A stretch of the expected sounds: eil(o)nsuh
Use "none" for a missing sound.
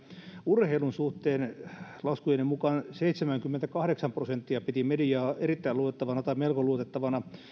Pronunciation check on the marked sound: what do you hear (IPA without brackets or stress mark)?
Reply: u